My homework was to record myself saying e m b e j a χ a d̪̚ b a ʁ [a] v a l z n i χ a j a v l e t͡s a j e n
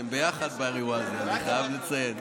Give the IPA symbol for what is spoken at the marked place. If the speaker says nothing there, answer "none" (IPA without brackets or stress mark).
i